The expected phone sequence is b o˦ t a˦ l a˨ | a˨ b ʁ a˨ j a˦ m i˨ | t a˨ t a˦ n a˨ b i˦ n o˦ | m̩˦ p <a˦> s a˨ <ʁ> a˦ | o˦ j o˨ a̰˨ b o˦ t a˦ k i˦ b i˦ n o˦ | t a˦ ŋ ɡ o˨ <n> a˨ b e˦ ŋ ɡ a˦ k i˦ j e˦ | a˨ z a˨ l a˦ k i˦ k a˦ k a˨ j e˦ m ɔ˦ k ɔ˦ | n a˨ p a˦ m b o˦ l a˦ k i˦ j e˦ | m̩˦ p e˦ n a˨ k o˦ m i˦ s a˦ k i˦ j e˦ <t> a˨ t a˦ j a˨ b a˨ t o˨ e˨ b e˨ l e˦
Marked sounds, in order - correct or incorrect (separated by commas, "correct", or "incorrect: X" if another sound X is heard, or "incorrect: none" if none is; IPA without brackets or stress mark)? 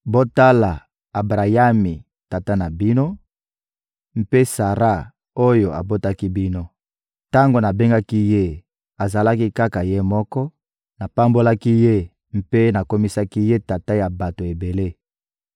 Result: incorrect: e˦, correct, correct, correct